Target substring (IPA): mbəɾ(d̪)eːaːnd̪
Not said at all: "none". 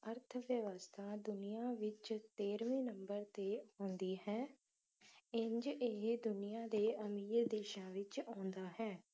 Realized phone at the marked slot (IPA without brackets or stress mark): t̪